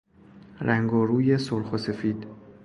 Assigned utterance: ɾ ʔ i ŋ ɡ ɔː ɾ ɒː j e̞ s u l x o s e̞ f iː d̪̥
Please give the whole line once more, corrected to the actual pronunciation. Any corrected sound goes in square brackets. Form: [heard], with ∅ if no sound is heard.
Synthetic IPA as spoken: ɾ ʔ [æ] ŋ ɡ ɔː ɾ [uː] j e̞ s [o] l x o s e̞ f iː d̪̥